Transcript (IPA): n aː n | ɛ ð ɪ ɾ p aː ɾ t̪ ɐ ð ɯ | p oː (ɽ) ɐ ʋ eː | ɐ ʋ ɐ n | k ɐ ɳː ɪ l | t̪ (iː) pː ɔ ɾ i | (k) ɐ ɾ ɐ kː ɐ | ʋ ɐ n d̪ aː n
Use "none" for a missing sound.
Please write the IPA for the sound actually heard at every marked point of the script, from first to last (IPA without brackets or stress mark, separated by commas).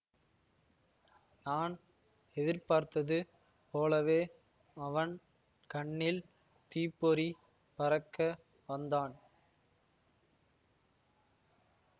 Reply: l, iː, p